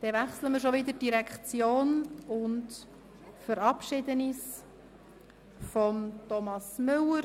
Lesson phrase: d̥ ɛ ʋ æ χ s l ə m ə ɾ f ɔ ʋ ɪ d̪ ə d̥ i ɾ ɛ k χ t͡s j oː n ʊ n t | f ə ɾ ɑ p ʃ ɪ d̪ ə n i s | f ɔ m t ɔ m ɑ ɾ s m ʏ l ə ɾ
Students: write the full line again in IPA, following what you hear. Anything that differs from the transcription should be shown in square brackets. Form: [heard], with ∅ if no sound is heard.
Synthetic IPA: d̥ ɛ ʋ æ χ s l ə m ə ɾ [ʃ] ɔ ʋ ɪ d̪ ə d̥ i ɾ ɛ k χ t͡s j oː n ʊ n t | f ə ɾ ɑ p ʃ ɪ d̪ ə n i s | f ɔ m t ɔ m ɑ [∅] s m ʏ l ə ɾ